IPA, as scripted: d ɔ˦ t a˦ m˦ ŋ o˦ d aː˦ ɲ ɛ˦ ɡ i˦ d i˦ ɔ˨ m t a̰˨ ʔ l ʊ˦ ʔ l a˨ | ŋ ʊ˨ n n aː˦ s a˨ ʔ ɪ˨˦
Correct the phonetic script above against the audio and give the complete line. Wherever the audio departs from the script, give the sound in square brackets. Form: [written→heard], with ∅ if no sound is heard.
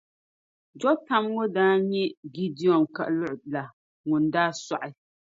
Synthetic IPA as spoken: [d→d͡ʒ] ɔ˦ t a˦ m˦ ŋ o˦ d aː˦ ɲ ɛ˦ ɡ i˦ d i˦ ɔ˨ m [t→k] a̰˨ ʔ l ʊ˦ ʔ l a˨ | ŋ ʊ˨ n [n→d] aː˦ s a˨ ʔ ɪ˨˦